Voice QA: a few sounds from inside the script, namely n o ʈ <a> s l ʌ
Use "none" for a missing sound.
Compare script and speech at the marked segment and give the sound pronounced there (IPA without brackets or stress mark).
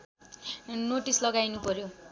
i